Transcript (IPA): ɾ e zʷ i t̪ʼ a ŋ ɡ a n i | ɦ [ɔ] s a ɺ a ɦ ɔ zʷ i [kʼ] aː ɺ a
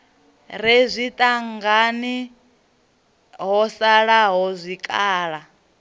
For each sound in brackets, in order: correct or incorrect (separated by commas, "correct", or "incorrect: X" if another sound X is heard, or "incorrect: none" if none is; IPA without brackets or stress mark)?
correct, correct